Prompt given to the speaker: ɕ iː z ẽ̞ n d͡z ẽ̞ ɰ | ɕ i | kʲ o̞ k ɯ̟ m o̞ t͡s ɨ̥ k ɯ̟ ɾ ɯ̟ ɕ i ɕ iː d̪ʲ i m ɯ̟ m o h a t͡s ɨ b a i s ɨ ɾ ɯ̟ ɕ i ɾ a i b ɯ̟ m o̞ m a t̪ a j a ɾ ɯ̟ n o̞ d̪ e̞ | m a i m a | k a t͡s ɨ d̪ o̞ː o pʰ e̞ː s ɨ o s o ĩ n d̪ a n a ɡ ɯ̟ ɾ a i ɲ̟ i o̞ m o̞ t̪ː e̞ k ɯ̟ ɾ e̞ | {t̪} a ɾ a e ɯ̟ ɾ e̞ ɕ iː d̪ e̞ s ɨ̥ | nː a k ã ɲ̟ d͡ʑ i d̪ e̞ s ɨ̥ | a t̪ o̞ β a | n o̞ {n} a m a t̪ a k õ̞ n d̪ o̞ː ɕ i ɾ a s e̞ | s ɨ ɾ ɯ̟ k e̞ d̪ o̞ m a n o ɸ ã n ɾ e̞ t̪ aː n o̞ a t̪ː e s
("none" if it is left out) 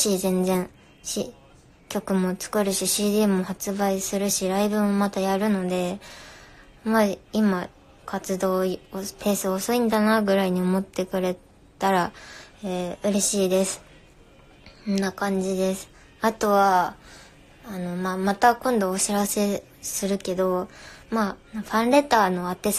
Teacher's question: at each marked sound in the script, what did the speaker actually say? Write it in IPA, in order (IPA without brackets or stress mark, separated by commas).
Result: t̪, m